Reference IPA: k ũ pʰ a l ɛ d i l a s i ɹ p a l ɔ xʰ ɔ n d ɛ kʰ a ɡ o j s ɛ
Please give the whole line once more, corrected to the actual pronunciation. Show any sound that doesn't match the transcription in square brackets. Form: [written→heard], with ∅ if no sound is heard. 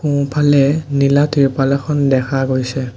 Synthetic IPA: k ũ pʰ a l ɛ [d→n] i l a [s→t] i ɹ p a l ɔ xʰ ɔ n d ɛ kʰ a ɡ o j s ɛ